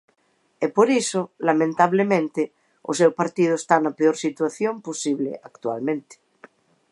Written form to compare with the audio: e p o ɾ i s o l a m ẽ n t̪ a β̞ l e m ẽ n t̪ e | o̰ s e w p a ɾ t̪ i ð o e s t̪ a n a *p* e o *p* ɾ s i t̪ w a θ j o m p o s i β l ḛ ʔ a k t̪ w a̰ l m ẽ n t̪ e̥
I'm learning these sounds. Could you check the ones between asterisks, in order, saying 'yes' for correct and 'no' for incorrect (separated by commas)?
yes, no